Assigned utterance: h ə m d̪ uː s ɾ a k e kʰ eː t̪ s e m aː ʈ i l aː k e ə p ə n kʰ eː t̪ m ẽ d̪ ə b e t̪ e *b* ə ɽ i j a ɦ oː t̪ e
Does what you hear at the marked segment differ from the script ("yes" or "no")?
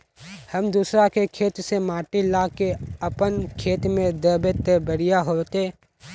no